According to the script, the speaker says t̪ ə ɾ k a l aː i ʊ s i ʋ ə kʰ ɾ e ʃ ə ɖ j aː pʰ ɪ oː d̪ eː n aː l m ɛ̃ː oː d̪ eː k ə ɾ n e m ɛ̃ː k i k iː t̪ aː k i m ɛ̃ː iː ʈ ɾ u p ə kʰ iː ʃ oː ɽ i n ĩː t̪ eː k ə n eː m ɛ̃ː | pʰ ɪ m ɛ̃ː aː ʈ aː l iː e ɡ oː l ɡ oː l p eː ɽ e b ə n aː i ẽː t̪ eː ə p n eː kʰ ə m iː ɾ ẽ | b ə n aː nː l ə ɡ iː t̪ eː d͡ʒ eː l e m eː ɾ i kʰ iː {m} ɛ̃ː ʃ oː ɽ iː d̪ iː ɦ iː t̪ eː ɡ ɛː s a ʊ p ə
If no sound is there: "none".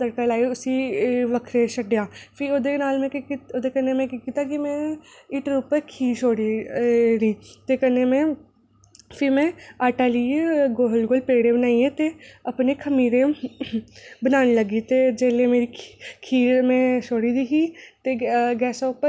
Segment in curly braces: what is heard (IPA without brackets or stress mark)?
m